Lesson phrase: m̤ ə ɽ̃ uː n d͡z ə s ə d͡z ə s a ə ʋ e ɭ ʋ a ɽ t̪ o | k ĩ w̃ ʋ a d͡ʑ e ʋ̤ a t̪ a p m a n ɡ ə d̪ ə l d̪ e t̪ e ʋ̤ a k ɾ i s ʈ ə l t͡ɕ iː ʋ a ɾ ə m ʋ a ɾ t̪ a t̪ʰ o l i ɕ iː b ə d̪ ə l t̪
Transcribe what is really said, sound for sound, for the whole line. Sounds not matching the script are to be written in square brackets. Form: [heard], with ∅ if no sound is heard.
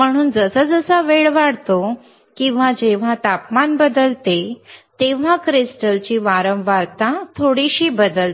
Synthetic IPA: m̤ ə ɽ̃ uː n d͡z ə s ə d͡z ə s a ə ʋ e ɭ ʋ a ɽ t̪ o | k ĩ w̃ ʋ a d͡ʑ e ʋ̤ a t̪ a p m a n [b] ə d̪ ə l [t̪] e t̪ e ʋ̤ a k ɾ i s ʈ ə l t͡ɕ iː ʋ a ɾ ə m ʋ a ɾ t̪ a t̪ʰ o [ɽ] i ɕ iː b ə d̪ ə l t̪